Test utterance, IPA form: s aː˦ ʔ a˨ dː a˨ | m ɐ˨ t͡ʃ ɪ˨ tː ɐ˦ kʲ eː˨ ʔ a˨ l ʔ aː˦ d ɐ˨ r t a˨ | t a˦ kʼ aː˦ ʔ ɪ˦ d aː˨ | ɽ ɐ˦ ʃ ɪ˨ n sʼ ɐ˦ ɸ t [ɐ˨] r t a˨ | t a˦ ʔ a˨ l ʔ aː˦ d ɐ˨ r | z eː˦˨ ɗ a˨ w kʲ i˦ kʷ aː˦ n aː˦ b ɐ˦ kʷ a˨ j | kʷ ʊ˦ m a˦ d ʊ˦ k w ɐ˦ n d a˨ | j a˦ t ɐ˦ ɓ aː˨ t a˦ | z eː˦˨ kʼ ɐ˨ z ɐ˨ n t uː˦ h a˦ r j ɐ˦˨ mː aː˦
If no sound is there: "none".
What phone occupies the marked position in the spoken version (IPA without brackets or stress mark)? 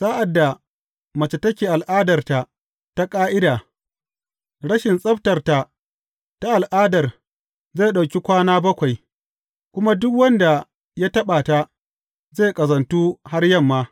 ɐ˨